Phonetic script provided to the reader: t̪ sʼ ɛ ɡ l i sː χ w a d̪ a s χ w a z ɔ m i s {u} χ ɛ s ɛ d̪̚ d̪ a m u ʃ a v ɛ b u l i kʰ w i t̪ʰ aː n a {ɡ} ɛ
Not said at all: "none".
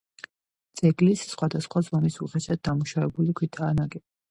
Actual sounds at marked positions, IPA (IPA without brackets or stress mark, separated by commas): u, ɡ